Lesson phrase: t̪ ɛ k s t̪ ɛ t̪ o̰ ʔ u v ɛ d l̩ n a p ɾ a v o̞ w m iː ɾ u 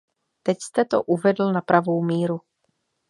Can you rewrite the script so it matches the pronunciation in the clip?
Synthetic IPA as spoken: t̪ ɛ c s t̪ ɛ t̪ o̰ ʔ u v ɛ d l̩ n a p ɾ a v o̞ w m iː ɾ u